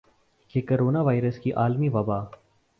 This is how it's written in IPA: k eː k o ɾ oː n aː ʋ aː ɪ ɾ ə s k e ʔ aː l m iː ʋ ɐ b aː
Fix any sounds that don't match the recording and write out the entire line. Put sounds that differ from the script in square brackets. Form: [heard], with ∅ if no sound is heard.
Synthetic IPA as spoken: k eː k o ɾ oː n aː ʋ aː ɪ ɾ ə s k [i] ʔ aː l m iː ʋ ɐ b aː